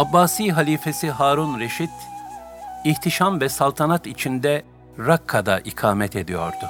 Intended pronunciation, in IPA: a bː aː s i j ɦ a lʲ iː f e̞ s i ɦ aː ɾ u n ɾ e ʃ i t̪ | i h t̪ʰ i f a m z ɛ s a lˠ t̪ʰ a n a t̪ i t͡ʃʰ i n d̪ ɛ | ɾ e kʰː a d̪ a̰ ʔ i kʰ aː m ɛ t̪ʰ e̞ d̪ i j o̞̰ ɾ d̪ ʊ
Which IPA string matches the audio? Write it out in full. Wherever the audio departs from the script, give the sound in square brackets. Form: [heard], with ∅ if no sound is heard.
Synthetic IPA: a bː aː s i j ɦ a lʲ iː f e̞ s i ɦ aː ɾ u n ɾ e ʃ i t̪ | i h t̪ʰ i [ʃ] a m [v] ɛ s a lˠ t̪ʰ a n a t̪ i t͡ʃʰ i n d̪ ɛ | ɾ [a] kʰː a d̪ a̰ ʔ i kʰ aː m ɛ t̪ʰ e̞ d̪ i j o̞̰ ɾ d̪ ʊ